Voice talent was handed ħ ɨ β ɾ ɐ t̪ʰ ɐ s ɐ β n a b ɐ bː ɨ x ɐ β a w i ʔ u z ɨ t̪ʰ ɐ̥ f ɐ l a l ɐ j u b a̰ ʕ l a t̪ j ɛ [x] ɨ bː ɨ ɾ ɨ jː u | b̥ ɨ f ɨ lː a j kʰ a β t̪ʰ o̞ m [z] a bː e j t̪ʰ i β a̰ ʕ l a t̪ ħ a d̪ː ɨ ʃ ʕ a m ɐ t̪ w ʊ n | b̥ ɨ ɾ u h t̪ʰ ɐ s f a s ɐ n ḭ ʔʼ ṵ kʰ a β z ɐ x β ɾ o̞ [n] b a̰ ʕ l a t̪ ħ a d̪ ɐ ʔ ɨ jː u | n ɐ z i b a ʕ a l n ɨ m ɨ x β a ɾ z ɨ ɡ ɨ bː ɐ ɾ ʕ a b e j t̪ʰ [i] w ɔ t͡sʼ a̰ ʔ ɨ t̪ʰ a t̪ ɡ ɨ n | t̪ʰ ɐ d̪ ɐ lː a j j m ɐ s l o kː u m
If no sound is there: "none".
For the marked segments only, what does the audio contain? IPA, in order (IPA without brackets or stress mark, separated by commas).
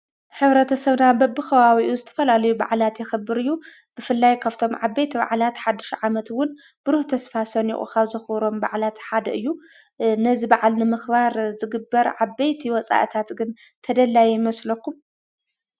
x, ʕ, m, i